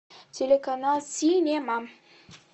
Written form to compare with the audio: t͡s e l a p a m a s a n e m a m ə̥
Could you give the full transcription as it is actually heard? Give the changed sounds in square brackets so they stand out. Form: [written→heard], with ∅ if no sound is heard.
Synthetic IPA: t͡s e l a [p→k] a [m→n] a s [a→i] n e m a m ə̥